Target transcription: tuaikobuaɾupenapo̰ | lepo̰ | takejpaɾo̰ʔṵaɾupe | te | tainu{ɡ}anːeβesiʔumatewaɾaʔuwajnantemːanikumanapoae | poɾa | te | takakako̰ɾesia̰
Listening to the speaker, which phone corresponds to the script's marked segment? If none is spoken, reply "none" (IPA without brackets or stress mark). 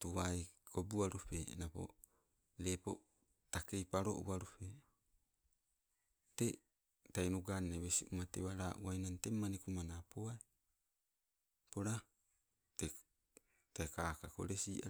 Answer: ɡ